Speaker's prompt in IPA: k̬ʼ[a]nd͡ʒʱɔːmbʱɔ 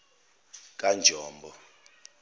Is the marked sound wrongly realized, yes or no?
no